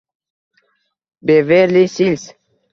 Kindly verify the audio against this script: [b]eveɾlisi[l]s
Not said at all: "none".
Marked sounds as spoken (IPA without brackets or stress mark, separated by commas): b, l